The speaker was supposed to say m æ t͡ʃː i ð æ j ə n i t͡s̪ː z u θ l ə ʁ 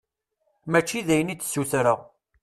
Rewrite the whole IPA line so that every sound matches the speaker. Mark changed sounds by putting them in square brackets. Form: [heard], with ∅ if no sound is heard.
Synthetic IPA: m æ t͡ʃː i ð æ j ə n i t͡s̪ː [s] u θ [ɾ] ə ʁ